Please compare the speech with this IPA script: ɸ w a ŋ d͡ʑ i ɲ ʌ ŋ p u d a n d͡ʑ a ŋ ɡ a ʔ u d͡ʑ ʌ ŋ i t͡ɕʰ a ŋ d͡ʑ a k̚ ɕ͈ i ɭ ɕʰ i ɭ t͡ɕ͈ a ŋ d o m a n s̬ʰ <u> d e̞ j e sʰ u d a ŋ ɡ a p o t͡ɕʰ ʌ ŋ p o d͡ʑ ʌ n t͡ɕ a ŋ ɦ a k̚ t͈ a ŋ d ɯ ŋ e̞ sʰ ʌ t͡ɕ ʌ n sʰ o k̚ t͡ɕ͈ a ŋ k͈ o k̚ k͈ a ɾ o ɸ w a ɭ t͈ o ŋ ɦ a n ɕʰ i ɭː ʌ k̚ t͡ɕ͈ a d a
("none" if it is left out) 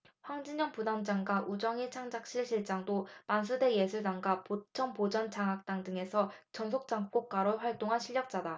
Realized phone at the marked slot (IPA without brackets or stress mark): u